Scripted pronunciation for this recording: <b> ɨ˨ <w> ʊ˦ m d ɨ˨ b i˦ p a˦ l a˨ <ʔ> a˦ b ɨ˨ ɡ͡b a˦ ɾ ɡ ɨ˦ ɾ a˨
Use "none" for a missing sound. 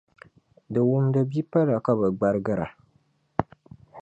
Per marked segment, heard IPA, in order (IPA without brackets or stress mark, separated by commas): d, w, k